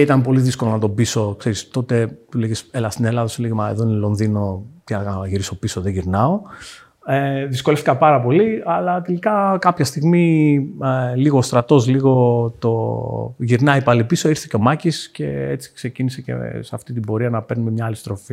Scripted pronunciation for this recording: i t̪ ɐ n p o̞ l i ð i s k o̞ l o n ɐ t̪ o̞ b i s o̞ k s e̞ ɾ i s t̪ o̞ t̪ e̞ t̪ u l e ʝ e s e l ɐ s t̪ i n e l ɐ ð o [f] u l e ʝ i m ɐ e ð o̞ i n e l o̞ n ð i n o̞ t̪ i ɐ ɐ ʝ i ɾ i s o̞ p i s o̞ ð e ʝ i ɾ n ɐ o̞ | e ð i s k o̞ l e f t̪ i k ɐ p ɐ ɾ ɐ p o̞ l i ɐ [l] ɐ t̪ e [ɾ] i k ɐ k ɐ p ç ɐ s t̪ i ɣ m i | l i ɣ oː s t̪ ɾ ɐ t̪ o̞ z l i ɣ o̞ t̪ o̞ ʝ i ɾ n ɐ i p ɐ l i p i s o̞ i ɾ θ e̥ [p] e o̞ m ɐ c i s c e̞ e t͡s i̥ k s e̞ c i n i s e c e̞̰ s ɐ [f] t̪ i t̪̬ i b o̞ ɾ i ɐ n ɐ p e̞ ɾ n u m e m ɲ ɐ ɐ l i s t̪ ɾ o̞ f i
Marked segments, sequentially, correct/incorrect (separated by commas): incorrect, correct, incorrect, incorrect, correct